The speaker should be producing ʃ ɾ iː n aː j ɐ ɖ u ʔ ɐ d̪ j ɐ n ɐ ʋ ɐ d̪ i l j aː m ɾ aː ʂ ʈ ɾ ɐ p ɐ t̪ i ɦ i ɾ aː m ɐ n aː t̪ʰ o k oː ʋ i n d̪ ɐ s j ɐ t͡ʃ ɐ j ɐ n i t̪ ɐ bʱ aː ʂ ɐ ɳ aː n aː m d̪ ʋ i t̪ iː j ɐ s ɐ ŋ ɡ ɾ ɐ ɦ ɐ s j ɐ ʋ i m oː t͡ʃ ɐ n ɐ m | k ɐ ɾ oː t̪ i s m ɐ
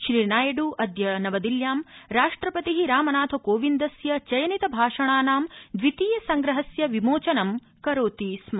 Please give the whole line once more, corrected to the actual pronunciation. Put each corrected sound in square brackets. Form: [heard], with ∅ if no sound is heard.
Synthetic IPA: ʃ ɾ iː n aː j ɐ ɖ u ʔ ɐ d̪ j ɐ n ɐ ʋ ɐ d̪ i l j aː m ɾ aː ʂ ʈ ɾ ɐ p ɐ t̪ i ɦ i ɾ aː m ɐ n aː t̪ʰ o k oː ʋ i n d̪ ɐ s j ɐ t͡ʃ ɐ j ɐ n i t̪ ɐ bʱ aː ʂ ɐ ɳ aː n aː m d̪ ʋ i t̪ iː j ɐ s ɐ ŋ ɡ ɾ ɐ ɦ ɐ s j ɐ ʋ i m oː t͡ʃ ɐ n ɐ m | k ɐ ɾ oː t̪ i s m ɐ

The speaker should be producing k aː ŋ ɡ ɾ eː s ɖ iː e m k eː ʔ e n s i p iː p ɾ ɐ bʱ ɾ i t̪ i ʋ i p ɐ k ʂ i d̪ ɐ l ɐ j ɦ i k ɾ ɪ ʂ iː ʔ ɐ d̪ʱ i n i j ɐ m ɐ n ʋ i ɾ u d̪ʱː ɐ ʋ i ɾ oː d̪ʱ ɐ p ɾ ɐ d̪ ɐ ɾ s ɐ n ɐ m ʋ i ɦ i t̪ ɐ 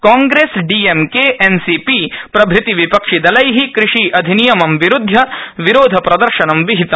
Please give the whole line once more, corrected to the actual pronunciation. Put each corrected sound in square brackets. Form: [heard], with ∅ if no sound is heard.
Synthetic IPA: k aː ŋ ɡ ɾ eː s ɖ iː e m k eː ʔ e n s i p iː p ɾ ɐ bʱ ɾ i t̪ i ʋ i p ɐ k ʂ i d̪ ɐ l ɐ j ɦ i k ɾ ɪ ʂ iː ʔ ɐ d̪ʱ i n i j ɐ m ɐ [m] ʋ i ɾ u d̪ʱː ɐ ʋ i ɾ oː d̪ʱ ɐ p ɾ ɐ d̪ ɐ ɾ [ʃ] ɐ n ɐ m ʋ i ɦ i t̪ ɐ

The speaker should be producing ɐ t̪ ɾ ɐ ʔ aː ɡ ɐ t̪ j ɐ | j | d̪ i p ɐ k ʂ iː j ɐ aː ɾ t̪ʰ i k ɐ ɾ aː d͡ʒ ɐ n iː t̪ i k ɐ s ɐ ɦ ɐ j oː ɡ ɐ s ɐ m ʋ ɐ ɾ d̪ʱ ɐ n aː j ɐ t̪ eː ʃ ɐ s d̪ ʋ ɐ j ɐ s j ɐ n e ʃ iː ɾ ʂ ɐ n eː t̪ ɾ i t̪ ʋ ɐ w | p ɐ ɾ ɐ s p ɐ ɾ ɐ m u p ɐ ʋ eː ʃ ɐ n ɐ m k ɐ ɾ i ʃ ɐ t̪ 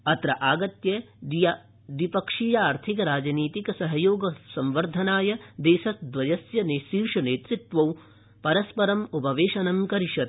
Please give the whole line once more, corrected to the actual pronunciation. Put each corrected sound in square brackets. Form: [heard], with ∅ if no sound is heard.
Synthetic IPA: ɐ t̪ ɾ ɐ ʔ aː ɡ ɐ t̪ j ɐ | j | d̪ i p ɐ k ʂ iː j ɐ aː ɾ t̪ʰ i k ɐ ɾ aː d͡ʒ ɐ n iː t̪ i k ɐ s ɐ ɦ ɐ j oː ɡ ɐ s ɐ m ʋ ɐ ɾ d̪ʱ ɐ n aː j ɐ [d̪] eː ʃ ɐ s d̪ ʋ ɐ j ɐ s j ɐ n e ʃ iː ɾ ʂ ɐ n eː t̪ ɾ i t̪ ʋ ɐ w | p ɐ ɾ ɐ s p ɐ ɾ ɐ m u p ɐ ʋ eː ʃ ɐ n ɐ m k ɐ ɾ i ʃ ɐ t̪

